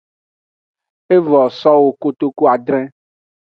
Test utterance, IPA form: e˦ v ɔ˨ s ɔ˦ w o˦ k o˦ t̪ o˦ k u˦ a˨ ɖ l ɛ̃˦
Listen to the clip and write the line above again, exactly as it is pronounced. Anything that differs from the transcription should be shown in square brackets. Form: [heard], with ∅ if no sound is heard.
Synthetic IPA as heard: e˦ v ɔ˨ s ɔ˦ w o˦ k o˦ t̪ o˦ k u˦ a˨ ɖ [ɾ] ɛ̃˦